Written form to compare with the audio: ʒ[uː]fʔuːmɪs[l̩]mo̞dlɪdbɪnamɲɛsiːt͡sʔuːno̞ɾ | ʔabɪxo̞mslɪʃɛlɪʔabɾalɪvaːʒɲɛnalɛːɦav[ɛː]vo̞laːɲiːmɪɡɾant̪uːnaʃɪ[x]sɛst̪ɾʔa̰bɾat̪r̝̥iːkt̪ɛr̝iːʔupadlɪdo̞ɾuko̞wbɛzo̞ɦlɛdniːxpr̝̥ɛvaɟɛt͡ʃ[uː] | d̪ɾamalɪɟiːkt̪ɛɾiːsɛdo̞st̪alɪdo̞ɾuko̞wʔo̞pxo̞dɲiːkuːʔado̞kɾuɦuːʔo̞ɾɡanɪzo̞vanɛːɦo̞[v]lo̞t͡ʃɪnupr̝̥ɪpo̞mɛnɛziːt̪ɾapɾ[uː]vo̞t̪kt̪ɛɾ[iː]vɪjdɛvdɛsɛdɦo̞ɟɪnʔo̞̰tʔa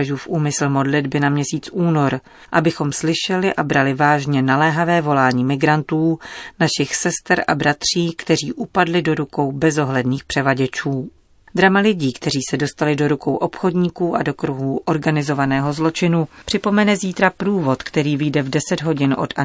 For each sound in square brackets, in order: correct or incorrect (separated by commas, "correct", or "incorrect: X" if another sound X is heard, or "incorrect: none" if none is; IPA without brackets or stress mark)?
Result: correct, correct, correct, correct, correct, incorrect: z, correct, correct